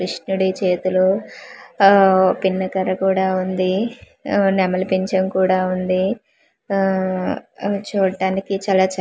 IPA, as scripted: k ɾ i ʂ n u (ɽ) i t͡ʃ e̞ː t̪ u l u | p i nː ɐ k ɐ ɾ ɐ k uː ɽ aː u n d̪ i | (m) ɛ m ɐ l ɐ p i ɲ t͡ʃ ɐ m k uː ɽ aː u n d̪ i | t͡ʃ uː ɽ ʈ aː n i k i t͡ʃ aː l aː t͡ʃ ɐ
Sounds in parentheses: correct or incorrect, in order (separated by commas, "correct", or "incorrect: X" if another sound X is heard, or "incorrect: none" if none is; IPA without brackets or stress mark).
correct, incorrect: n